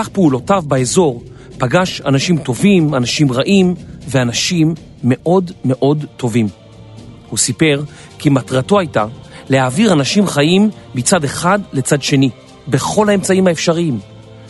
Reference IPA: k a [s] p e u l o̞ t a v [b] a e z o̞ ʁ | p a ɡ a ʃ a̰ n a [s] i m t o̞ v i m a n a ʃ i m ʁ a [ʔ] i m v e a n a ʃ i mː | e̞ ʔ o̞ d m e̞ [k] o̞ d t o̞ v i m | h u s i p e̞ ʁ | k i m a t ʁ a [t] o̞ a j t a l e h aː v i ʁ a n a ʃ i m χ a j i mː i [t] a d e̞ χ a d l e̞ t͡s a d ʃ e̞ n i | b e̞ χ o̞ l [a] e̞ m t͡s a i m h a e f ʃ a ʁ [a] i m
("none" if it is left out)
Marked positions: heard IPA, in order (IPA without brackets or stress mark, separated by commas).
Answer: χ, b, ʃ, ʔ, ʔ, t, t͡s, a, i